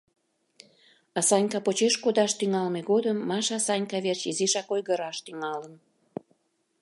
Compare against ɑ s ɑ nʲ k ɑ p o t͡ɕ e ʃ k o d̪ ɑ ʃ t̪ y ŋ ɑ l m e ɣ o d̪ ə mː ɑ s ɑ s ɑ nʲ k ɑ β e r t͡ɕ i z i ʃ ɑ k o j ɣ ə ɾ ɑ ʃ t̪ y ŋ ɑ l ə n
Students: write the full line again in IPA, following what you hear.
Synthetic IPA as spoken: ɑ s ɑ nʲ k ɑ p o t͡ɕ e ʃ k o d̪ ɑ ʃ t̪ y ŋ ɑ l m e ɣ o d̪ ə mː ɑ ʃ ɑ s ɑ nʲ k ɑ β e r t͡ɕ i z i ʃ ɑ k o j ɣ ə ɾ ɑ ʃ t̪ y ŋ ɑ l ə n